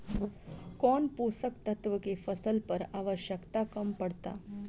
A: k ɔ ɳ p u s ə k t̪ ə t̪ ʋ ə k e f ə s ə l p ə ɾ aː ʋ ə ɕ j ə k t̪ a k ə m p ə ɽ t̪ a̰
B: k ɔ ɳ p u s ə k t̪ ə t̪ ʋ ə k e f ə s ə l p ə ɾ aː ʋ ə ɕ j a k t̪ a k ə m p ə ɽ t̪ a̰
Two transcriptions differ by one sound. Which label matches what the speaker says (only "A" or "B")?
A